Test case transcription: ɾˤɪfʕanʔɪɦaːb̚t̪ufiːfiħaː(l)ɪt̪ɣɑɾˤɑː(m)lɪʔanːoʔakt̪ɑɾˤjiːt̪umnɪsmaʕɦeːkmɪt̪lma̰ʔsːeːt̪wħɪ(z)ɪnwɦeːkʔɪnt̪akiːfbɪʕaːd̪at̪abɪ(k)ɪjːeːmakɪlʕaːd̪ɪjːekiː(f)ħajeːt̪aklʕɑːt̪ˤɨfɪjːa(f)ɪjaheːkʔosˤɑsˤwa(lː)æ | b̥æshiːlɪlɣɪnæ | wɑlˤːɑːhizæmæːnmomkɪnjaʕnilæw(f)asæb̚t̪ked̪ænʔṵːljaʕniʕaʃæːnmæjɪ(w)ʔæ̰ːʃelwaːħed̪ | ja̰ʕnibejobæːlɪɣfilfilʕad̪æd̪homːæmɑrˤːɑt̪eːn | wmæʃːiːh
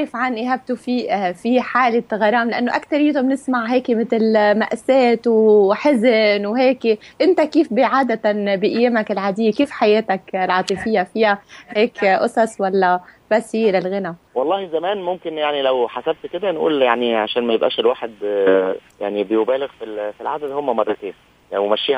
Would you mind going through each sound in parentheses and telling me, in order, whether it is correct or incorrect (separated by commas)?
correct, correct, correct, incorrect, correct, correct, correct, incorrect, incorrect